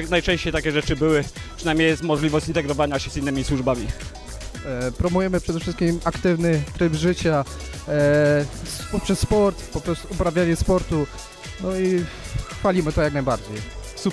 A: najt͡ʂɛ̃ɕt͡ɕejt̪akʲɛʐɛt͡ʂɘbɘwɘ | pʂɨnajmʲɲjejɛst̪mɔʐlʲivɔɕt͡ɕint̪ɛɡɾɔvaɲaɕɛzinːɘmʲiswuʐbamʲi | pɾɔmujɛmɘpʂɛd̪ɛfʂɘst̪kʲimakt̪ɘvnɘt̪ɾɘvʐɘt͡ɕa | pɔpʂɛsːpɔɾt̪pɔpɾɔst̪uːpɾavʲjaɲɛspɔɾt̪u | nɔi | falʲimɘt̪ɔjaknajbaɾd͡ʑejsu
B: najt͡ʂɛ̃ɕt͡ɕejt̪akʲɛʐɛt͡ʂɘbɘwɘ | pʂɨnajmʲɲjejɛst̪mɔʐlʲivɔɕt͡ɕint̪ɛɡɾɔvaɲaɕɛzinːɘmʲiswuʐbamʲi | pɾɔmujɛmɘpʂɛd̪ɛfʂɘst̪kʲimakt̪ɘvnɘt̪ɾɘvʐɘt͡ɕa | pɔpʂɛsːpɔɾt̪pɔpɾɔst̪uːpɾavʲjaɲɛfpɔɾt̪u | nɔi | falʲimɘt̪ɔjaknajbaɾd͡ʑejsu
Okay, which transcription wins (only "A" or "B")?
A